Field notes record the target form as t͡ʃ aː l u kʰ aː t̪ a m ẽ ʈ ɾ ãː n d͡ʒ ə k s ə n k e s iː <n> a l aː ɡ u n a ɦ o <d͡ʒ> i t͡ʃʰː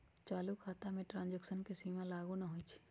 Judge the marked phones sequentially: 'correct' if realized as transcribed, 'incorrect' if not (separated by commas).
incorrect, incorrect